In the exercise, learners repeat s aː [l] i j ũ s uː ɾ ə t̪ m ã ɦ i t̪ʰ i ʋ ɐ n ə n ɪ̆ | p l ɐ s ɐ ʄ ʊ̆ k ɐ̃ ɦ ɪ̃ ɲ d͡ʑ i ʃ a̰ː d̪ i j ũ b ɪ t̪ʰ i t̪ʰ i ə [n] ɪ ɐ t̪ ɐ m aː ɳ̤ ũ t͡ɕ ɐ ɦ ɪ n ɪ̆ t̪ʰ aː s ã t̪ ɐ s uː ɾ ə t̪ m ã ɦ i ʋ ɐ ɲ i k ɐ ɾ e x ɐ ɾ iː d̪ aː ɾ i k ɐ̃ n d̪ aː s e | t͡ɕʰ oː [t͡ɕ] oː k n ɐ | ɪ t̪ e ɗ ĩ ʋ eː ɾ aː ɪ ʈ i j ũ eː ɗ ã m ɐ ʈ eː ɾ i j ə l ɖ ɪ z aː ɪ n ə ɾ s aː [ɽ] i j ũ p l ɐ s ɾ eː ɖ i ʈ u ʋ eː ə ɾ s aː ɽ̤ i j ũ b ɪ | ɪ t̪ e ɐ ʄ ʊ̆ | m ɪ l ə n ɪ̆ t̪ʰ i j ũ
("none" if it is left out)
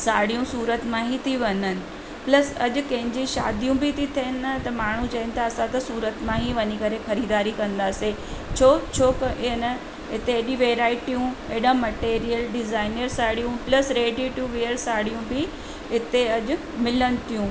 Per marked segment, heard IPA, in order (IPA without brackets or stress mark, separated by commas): ɽ, n, t͡ɕʰ, ɽ